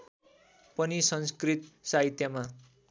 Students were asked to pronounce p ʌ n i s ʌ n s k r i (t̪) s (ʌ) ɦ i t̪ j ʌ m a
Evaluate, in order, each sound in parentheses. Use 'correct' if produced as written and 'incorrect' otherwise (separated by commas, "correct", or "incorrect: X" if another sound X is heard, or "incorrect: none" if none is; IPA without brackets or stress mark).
correct, incorrect: a